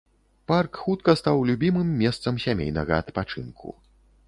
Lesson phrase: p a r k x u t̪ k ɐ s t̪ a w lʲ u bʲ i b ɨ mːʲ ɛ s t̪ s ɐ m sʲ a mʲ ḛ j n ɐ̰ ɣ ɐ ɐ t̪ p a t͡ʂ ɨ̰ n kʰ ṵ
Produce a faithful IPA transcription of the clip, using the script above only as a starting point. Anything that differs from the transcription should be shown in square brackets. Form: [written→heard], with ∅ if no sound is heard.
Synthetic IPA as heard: p a r k x u t̪ k ɐ s t̪ a w lʲ u bʲ i [b→m] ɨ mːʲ ɛ s t̪ s ɐ m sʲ a mʲ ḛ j n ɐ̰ ɣ ɐ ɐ t̪ p a t͡ʂ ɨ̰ n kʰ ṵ